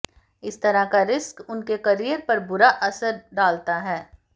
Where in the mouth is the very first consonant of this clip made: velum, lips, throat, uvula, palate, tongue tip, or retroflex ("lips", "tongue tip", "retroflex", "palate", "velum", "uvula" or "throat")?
tongue tip